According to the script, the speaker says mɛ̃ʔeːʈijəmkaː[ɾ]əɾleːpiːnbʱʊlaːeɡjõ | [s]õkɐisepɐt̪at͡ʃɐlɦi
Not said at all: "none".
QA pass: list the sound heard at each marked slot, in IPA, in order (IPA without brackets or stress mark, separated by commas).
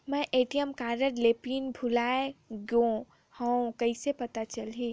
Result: ɾ, h